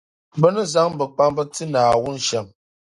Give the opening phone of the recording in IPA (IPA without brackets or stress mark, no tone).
b